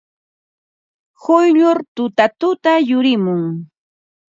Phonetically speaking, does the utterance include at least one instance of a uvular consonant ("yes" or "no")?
no